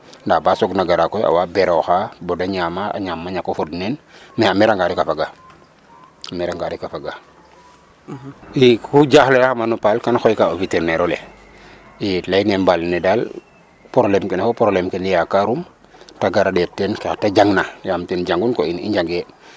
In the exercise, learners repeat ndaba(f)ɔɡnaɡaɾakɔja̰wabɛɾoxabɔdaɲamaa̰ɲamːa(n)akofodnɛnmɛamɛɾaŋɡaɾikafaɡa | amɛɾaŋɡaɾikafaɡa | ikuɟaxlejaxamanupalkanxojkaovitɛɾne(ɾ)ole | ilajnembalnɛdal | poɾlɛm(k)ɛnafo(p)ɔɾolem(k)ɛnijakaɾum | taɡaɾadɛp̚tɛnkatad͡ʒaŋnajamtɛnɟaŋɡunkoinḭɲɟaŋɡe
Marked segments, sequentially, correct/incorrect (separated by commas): incorrect, incorrect, correct, correct, correct, correct